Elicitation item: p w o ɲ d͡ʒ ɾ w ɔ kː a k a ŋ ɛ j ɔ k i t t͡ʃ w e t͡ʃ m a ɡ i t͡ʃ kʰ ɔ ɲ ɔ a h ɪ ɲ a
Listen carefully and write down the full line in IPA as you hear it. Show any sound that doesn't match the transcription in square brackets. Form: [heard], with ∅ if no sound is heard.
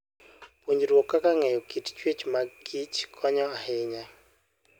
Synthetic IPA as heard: p w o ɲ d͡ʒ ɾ w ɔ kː a k a ŋ ɛ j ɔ k i t t͡ʃ w e t͡ʃ m a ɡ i t͡ʃ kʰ ɔ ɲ ɔ a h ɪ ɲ a